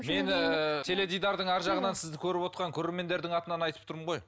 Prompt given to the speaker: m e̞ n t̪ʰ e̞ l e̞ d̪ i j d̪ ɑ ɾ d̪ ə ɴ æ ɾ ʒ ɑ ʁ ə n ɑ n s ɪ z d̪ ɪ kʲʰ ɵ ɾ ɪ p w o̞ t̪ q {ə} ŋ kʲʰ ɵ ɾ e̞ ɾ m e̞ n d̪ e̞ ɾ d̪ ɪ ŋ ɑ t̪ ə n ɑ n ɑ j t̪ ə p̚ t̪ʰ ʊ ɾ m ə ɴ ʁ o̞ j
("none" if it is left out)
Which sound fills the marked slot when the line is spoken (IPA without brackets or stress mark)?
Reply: ɑ